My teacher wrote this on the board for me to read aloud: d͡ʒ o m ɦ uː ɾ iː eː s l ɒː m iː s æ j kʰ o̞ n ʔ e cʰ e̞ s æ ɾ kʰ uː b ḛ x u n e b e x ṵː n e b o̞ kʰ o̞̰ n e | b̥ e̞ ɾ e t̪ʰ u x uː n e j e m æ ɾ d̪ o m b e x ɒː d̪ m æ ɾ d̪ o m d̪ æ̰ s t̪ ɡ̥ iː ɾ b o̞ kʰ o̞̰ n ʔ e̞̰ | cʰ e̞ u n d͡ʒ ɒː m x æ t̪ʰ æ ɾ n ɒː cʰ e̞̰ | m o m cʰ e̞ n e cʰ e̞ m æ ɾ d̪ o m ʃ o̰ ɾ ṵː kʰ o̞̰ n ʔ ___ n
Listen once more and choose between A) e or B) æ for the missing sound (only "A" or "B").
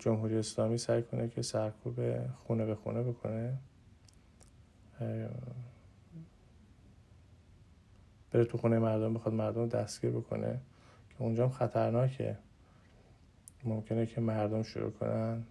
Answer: B